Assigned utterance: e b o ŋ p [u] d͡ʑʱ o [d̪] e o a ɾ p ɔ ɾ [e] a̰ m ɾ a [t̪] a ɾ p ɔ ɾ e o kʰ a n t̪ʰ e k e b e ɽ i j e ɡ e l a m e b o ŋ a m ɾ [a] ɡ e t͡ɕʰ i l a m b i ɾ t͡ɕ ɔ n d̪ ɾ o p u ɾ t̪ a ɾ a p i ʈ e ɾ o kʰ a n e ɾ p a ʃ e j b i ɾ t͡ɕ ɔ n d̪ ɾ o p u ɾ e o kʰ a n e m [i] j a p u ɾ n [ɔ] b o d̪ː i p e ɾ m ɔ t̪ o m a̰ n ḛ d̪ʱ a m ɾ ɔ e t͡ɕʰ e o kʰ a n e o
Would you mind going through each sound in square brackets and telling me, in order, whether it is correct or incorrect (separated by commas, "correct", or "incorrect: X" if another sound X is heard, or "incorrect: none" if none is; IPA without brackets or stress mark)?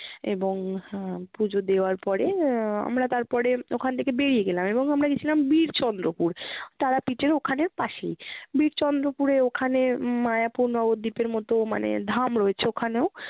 correct, correct, correct, correct, correct, incorrect: a, correct